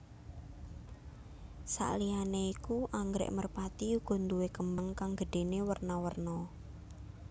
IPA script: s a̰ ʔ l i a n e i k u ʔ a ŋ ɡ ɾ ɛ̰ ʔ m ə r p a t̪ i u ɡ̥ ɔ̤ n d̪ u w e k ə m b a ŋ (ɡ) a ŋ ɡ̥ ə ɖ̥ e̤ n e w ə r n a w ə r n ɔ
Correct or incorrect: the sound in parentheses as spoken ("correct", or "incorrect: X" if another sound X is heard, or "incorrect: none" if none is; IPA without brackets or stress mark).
incorrect: k